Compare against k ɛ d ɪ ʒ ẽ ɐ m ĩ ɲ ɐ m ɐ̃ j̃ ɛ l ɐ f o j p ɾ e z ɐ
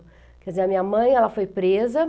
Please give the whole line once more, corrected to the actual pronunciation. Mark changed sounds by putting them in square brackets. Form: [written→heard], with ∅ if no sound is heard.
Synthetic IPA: k ɛ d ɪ [ʒ→z] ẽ ɐ m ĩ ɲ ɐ m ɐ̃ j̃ ɛ l ɐ f o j p ɾ e z ɐ